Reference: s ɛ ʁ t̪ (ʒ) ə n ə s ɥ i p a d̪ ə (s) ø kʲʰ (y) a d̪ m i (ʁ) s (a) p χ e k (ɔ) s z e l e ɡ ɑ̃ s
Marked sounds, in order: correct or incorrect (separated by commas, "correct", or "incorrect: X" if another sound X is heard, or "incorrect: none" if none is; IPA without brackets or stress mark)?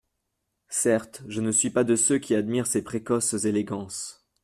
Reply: correct, correct, incorrect: i, correct, incorrect: e, correct